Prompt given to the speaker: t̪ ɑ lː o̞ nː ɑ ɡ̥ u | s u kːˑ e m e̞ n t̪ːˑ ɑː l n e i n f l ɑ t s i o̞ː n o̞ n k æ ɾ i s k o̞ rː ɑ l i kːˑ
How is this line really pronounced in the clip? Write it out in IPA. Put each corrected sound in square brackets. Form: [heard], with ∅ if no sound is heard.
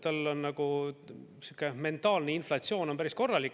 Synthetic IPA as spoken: t̪ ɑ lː o̞ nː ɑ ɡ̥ u | s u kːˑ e m e̞ n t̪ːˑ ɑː l n e i n f l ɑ t s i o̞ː n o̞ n [p] æ ɾ i s k o̞ rː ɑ l i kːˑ